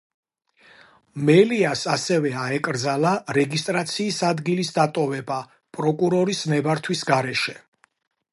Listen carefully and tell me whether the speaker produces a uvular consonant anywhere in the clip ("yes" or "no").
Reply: no